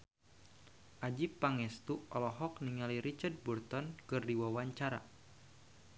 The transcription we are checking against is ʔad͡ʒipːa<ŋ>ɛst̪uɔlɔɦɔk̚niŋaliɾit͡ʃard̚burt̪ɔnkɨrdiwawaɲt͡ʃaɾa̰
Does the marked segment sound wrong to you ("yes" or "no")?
no